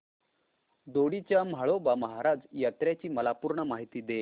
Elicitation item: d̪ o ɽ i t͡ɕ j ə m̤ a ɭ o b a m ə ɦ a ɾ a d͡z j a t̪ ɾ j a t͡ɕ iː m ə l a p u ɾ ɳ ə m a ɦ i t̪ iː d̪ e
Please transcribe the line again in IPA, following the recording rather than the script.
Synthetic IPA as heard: d̪ o ɽ i t͡ɕ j a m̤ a ɭ o b a m ə ɦ a ɾ a d͡z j a t̪ ɾ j a t͡ɕ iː m ə l a p u ɾ ɳ ə m a ɦ i t̪ iː d̪ e